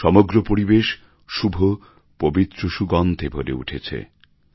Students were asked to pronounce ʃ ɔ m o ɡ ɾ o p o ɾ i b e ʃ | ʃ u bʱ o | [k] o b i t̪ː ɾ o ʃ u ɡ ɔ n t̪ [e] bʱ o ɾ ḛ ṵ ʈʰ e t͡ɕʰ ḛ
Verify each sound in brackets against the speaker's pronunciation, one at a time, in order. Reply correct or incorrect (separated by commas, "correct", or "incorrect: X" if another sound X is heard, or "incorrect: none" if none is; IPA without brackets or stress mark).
incorrect: p, correct